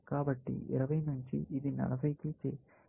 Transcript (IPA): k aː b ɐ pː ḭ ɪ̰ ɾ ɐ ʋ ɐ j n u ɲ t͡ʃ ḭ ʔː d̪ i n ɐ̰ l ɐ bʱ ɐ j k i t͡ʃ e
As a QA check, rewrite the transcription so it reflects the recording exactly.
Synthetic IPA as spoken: k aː b ɐ ʈː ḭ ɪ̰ ɾ ɐ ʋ ɐ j n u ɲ t͡ʃ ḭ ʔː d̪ i n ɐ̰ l ɐ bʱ ɐ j k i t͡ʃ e